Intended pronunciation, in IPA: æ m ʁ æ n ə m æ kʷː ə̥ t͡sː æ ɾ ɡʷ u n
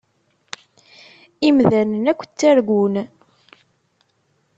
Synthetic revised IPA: i m ð æ n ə n æ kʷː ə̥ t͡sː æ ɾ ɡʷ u n